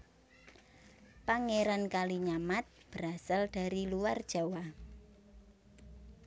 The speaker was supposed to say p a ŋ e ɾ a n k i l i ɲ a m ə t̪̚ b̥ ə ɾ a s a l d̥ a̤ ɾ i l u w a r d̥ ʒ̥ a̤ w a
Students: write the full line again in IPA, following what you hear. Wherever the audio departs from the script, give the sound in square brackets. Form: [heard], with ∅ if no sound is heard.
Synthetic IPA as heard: p a ŋ e ɾ a n k [a] l i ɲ a m [a] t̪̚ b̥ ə ɾ a s a l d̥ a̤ ɾ i l u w a r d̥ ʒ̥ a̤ w a